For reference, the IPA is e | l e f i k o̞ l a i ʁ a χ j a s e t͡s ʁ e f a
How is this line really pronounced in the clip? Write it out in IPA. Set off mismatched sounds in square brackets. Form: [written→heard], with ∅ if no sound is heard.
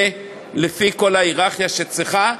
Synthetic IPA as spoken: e | l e f i k o̞ l a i ʁ a χ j a [s→ʃ] e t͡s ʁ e [f→χ] a